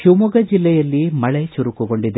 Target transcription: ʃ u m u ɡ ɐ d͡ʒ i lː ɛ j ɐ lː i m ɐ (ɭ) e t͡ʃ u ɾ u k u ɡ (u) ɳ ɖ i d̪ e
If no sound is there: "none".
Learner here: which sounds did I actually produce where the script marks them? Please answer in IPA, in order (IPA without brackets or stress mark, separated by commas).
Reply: ɭ, o